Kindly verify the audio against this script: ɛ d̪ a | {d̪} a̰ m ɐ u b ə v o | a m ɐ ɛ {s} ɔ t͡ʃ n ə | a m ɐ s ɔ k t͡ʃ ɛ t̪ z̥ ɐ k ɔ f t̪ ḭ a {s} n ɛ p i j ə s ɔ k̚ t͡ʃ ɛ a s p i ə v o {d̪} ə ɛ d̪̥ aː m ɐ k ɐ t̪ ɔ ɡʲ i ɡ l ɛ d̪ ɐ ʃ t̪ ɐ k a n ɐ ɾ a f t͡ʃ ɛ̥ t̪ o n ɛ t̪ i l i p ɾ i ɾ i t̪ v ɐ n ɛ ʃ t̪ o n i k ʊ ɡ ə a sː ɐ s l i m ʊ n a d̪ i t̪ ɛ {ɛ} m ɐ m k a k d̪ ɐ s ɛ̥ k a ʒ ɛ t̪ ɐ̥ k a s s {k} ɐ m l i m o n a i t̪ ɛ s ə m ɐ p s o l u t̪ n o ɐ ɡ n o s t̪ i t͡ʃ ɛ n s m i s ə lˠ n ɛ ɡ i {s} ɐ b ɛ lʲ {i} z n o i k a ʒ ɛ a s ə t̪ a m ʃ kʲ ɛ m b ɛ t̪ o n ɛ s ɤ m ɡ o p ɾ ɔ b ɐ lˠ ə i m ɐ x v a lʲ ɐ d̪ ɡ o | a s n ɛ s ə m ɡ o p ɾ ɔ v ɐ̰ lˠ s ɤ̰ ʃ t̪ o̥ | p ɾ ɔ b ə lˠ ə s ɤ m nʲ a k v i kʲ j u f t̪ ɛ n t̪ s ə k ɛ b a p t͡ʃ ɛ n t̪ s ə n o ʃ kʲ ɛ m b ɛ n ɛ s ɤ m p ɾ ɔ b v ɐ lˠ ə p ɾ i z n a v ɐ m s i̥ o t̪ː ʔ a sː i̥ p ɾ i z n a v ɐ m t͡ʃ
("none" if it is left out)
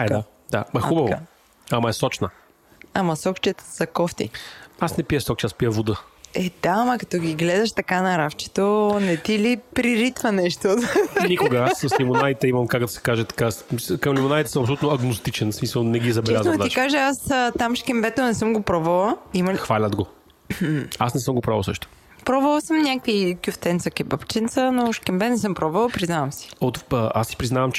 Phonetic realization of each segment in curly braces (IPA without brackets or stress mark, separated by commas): d̪, s, s, d̪, i, k, z, a